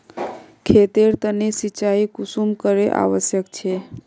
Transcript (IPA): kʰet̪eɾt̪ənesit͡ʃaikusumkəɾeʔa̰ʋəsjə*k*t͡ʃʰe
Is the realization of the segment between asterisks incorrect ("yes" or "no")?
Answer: no